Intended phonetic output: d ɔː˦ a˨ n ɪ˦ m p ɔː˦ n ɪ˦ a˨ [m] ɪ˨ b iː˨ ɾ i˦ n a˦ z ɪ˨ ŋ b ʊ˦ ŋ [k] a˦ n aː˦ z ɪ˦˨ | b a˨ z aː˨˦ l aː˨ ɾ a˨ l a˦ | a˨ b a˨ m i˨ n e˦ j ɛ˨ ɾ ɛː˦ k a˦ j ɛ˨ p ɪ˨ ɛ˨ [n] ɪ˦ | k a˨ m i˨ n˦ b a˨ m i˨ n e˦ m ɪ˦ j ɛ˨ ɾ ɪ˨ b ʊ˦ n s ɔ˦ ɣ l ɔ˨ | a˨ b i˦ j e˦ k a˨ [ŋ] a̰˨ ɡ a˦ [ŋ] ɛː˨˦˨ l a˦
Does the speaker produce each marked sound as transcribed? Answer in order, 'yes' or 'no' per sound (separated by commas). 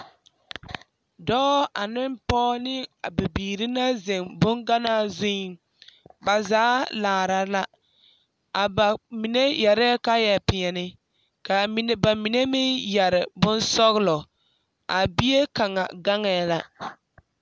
no, no, yes, yes, yes